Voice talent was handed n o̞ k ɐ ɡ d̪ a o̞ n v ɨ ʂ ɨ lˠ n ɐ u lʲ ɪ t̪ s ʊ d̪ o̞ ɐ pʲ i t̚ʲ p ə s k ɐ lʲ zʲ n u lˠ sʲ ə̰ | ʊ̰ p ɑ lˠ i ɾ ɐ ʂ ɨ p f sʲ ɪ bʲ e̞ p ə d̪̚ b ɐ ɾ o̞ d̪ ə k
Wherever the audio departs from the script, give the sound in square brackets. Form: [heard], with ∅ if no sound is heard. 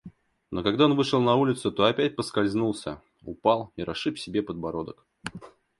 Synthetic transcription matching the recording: n o̞ k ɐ ɡ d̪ a o̞ n v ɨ ʂ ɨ lˠ n ɐ u lʲ ɪ t̪ s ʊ [t̪] o̞ ɐ pʲ [æ] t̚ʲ p ə s k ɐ lʲ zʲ n u lˠ sʲ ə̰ | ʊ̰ p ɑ lˠ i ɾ ɐ ʂ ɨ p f sʲ ɪ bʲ e̞ p ə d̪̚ b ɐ ɾ o̞ d̪ ə k